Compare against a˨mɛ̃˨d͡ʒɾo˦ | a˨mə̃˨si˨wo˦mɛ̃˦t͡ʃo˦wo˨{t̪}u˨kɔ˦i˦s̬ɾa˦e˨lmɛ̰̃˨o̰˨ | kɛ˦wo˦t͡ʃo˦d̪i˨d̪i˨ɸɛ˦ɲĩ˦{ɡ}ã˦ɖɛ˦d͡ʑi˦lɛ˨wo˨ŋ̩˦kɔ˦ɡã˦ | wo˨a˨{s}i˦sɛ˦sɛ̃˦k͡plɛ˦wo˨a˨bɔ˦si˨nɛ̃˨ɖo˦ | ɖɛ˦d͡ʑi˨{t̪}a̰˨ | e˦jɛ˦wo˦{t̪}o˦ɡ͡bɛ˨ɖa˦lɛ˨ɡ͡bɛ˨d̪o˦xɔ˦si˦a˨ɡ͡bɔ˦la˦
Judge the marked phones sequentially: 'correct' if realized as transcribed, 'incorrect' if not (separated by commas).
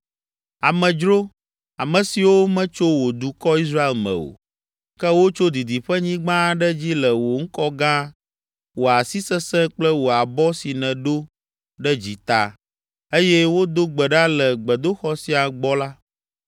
incorrect, incorrect, correct, correct, incorrect